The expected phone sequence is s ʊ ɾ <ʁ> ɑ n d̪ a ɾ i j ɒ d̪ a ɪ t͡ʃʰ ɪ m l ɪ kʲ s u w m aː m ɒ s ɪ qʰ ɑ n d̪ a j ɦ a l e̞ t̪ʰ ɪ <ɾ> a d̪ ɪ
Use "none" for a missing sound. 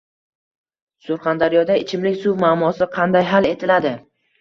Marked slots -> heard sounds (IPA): χ, l

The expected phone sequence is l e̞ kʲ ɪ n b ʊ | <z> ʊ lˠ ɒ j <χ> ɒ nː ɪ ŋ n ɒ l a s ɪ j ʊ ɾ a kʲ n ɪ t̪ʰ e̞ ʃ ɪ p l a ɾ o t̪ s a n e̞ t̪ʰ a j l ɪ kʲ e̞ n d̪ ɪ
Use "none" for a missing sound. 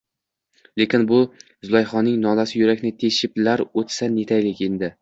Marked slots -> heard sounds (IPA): z, χ

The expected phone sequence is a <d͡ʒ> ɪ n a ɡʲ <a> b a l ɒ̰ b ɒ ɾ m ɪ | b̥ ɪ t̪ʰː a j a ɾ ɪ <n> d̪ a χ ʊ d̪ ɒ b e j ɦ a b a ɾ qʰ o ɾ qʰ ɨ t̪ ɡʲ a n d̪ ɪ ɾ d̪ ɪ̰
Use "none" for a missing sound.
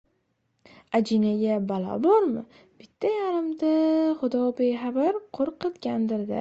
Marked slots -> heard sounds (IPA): d͡ʒ, a, m

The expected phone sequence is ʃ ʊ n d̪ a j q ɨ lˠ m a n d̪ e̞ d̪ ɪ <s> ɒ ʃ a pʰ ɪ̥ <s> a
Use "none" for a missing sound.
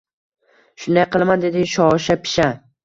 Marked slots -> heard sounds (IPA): ʃ, ʃ

